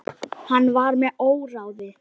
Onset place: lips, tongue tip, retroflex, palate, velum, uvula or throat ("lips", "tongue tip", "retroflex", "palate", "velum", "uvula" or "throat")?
throat